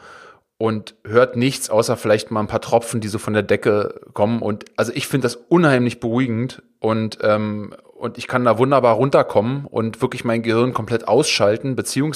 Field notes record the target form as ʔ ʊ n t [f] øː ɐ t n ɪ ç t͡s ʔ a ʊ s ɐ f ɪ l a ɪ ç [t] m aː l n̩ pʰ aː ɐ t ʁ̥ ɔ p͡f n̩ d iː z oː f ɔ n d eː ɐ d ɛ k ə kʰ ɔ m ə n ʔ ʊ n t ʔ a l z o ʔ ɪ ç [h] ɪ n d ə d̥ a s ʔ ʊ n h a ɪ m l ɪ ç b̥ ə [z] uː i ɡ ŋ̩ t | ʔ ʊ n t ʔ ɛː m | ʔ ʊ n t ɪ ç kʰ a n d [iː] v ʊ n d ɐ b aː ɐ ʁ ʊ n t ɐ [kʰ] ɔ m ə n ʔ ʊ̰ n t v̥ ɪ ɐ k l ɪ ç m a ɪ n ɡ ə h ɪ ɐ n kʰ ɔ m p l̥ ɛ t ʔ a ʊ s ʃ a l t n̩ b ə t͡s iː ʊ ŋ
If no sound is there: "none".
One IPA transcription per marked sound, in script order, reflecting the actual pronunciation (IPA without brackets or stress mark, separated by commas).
h, t, f, ʁ, aː, kʰ